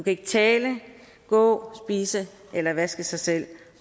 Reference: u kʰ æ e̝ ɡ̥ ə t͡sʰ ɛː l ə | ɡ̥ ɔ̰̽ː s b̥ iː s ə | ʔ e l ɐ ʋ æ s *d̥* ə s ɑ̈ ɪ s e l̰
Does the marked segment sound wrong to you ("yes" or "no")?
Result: yes